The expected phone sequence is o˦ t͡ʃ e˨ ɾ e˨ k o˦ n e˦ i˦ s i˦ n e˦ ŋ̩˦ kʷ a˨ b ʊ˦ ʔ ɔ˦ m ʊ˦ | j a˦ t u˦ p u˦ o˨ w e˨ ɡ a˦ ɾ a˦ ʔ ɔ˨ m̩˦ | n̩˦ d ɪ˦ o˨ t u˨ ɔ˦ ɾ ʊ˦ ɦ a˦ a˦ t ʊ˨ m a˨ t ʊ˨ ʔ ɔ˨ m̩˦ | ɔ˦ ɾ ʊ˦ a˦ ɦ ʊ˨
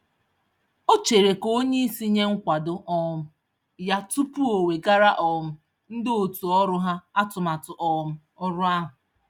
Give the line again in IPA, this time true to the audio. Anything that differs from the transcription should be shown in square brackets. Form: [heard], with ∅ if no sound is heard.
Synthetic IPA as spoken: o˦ t͡ʃ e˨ ɾ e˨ k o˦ [ɲ] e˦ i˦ s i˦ [ɲ] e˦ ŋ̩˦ kʷ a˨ [d] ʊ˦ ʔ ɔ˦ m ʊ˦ | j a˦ t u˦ p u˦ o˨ w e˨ ɡ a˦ ɾ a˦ ʔ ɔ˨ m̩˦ | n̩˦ d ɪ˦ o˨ t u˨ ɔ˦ ɾ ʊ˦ ɦ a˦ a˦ t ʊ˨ m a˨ t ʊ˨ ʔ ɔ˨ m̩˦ | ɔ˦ ɾ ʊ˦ a˦ ɦ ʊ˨